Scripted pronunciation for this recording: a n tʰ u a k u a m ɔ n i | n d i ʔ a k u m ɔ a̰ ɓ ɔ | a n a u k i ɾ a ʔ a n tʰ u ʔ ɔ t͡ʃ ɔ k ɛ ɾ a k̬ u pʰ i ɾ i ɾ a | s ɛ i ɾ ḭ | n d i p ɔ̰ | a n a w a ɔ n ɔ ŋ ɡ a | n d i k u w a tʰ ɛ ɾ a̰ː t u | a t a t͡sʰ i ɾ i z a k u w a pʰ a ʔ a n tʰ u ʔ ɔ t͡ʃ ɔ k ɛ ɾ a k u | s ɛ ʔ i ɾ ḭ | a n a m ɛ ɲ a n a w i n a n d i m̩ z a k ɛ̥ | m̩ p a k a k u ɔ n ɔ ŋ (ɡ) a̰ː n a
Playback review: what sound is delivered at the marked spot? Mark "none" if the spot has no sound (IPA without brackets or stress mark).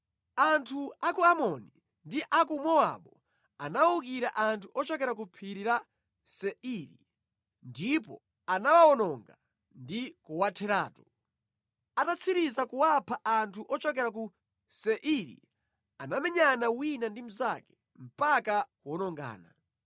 ɡ